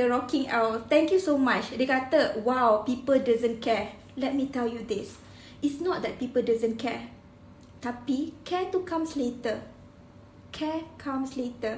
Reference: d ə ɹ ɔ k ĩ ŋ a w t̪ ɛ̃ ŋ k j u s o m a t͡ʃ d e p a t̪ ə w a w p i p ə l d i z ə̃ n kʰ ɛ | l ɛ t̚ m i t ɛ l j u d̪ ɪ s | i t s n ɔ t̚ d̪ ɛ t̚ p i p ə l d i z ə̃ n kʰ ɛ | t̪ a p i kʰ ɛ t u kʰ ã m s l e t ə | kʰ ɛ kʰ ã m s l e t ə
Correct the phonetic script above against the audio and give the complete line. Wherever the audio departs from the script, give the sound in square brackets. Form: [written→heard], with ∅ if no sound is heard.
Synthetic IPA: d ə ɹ ɔ k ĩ ŋ a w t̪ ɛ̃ ŋ k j u s o m a t͡ʃ d e [p→k] a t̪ ə w a w p i p ə l d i z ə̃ n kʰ ɛ | l ɛ t̚ m i t ɛ l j u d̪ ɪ s | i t s n ɔ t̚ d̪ ɛ t̚ p i p ə l d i z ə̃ n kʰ ɛ | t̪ a p i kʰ ɛ t u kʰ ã m s l e t ə | kʰ ɛ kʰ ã m s l e t ə